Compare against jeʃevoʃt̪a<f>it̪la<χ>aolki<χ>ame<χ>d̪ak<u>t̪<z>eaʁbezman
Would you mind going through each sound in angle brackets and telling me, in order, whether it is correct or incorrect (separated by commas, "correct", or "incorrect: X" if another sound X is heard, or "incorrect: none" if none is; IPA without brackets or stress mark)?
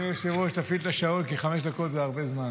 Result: correct, incorrect: ʃ, correct, incorrect: ʃ, incorrect: o, correct